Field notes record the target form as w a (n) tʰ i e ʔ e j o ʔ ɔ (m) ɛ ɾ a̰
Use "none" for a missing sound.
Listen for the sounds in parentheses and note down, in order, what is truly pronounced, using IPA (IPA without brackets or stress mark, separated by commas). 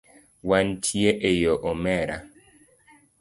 n, m